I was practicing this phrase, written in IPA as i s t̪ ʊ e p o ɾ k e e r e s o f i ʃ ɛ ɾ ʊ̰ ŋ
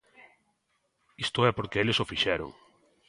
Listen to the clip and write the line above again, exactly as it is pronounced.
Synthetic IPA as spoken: i s t̪ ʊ ɛ p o ɾ k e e l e s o f i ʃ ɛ ɾ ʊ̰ ŋ